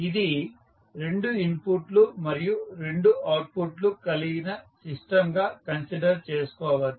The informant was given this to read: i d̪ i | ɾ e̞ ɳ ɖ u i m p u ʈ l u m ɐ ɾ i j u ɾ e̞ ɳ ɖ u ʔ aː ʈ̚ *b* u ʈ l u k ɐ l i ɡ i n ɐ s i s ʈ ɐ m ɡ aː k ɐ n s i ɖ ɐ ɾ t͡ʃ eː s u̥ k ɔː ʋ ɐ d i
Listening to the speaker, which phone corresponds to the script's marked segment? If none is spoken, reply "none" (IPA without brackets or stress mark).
p